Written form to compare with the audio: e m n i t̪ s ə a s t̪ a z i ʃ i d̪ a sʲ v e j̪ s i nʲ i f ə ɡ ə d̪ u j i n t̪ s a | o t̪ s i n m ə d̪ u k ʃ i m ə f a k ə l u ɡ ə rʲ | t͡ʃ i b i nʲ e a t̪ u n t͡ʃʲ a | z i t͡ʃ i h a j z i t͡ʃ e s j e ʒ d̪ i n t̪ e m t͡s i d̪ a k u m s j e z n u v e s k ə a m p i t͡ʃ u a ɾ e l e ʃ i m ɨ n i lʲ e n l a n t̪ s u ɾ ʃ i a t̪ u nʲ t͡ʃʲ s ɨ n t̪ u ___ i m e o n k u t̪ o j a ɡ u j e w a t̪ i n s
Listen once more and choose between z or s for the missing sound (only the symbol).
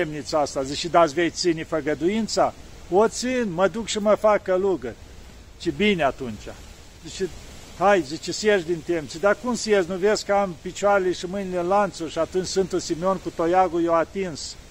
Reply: s